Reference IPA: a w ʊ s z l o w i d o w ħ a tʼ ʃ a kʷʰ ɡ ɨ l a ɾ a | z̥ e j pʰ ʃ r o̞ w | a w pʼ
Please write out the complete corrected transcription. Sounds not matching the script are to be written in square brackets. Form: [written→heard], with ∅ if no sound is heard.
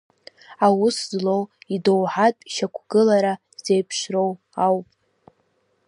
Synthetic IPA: a w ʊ s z l o w i d o w ħ a tʼ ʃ a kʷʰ ɡ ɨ l a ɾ a | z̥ e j pʰ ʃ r o̞ w | a w pʼ